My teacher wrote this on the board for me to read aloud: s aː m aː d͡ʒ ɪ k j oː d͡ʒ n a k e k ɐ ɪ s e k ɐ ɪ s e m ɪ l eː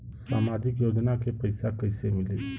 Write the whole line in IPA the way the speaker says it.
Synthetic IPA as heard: s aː m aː d͡ʒ ɪ k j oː d͡ʒ n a k e p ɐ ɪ s a k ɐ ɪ s e m ɪ l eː